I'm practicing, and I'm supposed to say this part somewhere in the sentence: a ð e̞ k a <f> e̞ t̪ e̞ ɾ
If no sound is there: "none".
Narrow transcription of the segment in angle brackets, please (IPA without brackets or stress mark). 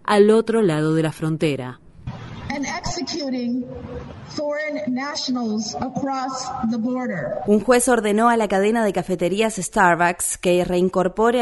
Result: f